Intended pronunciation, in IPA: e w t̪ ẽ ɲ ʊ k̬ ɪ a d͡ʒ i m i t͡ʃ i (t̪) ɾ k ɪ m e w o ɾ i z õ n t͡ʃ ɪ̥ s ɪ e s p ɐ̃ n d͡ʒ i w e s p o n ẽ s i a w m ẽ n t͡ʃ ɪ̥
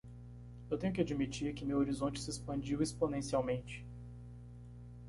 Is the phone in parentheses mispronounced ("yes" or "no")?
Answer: yes